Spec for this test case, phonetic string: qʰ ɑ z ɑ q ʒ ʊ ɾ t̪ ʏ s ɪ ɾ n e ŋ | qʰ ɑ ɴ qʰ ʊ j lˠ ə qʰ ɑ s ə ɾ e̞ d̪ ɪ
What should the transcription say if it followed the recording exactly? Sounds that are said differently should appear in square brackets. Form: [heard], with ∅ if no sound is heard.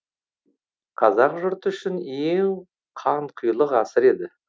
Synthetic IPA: qʰ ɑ z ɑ q ʒ ʊ ɾ t̪ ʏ [ʃ] ɪ [∅] n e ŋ | qʰ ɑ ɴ qʰ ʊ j lˠ ə [q] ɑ s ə ɾ e̞ d̪ ɪ